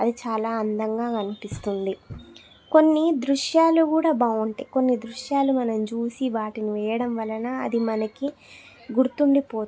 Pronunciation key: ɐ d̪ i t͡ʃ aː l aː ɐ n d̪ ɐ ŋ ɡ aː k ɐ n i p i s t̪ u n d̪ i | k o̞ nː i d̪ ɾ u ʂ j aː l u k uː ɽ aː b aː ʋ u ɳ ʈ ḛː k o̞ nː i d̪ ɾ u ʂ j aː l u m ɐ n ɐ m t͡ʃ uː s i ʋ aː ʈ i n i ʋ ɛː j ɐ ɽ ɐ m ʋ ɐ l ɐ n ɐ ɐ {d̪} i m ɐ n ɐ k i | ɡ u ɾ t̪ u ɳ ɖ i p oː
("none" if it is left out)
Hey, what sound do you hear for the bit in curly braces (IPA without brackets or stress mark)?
d̪